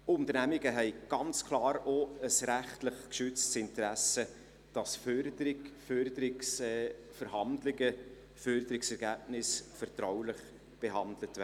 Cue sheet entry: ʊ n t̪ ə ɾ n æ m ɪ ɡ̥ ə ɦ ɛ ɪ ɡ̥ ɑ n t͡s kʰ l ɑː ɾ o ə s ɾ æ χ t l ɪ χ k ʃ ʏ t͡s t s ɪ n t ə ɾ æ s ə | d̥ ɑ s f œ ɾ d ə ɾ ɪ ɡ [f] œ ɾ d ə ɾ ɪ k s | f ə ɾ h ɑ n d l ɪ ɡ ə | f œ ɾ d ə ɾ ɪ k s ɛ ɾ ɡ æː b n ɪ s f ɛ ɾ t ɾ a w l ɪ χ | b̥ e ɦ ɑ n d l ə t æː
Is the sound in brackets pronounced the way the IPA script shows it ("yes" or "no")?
yes